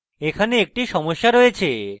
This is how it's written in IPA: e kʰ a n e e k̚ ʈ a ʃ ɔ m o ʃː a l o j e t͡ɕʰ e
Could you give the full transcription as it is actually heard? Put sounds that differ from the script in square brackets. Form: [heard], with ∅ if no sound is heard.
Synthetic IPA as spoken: e kʰ a n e e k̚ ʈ [i] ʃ ɔ m o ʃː a [ɾ] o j e t͡ɕʰ e